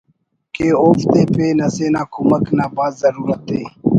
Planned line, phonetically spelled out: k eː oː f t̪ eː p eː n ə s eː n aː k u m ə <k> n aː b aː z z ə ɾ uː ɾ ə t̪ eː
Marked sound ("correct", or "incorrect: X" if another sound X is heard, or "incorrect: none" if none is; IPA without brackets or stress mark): correct